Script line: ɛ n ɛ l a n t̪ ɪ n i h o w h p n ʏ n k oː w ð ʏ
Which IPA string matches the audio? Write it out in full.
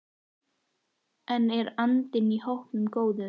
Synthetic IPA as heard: ɛ n ɛ ɾ a n t̪ ɪ n i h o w h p n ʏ m k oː w ð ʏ